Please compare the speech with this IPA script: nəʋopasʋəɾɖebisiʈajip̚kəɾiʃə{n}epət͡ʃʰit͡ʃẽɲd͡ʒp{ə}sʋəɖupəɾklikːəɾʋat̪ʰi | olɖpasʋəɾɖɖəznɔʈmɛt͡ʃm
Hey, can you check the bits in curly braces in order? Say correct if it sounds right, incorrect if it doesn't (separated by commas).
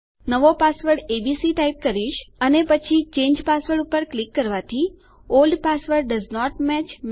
correct, incorrect